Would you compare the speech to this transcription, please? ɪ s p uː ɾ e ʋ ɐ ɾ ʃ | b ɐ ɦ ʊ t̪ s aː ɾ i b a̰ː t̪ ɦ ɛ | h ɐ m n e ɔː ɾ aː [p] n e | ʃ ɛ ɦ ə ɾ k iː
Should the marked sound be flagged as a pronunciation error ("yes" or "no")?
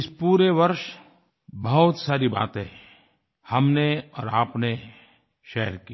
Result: no